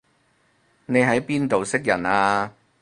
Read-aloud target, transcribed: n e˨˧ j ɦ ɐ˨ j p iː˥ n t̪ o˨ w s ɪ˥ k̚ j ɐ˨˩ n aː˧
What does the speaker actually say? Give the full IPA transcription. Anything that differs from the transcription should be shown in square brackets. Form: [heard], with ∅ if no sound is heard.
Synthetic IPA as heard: n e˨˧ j ɦ [ɐ˨˥] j p iː˥ n t̪ o˨ w s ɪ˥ k̚ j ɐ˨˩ n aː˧